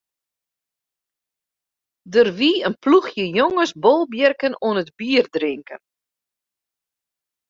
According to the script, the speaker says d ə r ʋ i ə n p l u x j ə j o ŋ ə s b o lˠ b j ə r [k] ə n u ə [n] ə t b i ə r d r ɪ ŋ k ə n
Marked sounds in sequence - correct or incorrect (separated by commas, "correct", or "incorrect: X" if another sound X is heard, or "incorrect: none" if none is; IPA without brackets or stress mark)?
correct, correct